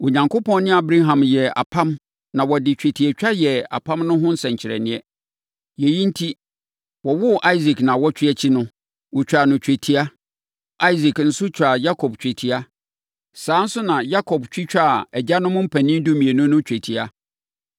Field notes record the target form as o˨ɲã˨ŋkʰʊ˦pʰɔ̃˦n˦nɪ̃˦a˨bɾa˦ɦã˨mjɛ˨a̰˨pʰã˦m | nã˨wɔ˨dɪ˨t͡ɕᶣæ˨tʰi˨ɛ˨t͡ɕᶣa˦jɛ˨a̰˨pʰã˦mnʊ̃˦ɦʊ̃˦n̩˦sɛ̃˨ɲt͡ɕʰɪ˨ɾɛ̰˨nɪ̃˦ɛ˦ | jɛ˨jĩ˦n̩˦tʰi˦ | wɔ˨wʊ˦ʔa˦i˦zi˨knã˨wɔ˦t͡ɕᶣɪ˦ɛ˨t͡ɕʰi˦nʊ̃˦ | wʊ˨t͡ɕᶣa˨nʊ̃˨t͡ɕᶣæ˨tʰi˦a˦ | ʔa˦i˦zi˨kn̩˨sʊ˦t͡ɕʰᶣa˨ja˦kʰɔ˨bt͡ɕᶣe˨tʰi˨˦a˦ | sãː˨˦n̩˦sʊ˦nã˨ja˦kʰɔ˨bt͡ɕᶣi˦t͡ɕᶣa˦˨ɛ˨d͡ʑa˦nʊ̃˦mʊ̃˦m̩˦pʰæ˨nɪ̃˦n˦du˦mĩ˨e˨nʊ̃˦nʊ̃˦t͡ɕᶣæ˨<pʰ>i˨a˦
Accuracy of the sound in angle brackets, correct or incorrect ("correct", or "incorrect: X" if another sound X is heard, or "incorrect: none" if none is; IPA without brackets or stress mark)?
incorrect: tʰ